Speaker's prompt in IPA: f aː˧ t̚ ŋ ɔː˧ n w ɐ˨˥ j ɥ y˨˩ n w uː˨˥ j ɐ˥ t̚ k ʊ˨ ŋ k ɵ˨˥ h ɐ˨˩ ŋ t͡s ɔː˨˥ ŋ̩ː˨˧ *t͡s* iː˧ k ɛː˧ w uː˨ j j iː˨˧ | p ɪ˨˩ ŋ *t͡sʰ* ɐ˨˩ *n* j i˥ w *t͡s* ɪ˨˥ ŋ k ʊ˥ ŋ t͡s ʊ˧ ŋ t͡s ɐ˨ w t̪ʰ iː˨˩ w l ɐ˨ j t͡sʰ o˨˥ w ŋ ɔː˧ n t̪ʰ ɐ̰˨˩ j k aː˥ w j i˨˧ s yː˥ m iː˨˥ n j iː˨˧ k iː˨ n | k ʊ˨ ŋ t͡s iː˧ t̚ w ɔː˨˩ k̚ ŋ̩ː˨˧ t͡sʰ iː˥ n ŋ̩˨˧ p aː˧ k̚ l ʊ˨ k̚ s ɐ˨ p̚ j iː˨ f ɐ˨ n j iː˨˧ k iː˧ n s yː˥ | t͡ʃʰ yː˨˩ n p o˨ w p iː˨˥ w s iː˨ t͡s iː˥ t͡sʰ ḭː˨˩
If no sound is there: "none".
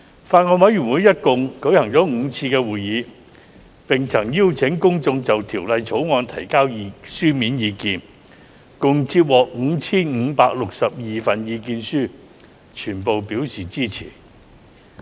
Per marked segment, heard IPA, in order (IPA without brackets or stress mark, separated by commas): t͡sʰ, t͡sʰ, ŋ, t͡sʰ